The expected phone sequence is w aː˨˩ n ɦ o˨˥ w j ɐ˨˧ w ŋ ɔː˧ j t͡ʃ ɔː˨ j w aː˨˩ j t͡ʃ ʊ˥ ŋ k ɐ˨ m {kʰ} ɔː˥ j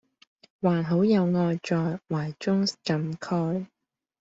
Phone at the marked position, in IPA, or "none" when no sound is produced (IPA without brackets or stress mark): kʰ